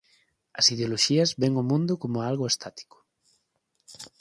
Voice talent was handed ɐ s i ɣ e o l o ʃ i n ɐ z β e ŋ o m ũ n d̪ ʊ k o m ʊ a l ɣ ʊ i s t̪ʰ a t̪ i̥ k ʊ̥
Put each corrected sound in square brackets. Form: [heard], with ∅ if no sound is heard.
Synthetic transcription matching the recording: ɐ s i [ð] e o l o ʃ i [∅] ɐ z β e ŋ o m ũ n d̪ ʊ k o m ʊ a l ɣ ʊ [e] s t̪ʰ a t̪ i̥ k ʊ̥